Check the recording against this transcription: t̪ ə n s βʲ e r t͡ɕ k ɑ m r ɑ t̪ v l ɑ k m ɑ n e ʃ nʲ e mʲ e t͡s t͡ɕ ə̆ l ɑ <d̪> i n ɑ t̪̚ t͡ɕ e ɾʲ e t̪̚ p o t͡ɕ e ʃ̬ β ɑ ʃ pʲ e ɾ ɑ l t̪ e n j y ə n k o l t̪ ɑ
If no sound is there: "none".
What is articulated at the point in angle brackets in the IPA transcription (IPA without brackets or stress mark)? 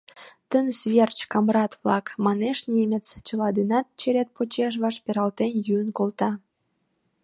d̪